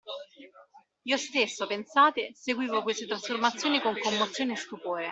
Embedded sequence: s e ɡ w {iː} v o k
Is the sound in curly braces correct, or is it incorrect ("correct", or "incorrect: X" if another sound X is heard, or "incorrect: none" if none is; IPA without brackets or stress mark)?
correct